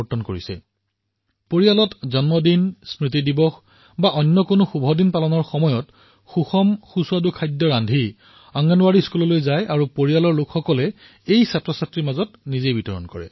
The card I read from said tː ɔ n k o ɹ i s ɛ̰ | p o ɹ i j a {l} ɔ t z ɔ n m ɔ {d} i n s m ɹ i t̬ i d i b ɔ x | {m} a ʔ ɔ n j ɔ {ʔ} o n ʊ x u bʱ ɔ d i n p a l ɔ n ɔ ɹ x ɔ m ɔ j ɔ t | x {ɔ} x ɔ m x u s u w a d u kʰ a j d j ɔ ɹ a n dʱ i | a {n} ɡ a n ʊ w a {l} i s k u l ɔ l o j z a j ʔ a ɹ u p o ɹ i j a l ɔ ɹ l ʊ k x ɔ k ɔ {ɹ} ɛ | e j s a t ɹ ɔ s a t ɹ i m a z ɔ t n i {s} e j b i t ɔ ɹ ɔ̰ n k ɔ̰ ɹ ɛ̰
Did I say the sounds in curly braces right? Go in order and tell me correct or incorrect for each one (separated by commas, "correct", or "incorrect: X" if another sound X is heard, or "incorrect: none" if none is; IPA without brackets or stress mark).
correct, correct, incorrect: b, incorrect: k, incorrect: u, incorrect: ŋ, incorrect: ɹ, incorrect: l, incorrect: z